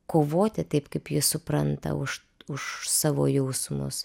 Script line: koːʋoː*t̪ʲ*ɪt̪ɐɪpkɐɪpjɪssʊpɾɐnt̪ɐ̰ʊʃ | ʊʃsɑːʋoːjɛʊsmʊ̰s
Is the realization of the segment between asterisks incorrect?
no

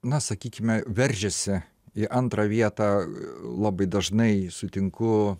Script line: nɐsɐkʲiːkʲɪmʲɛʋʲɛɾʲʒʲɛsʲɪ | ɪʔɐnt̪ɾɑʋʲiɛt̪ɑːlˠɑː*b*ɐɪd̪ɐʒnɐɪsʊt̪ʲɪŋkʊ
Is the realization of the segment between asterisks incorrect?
no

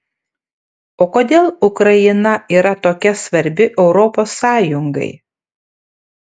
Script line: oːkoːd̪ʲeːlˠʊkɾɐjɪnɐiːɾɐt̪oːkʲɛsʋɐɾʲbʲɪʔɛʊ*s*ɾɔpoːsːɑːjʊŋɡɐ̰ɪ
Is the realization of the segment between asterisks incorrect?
yes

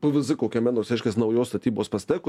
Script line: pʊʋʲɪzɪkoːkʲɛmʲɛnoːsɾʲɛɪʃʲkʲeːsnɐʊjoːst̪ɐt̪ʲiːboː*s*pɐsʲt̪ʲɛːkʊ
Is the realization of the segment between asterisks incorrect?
no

